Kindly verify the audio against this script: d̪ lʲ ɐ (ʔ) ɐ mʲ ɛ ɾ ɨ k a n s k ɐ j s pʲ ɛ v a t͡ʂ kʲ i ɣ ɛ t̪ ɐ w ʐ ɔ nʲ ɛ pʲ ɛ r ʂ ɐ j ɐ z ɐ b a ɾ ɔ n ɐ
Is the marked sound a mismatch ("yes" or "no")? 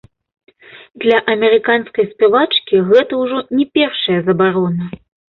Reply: no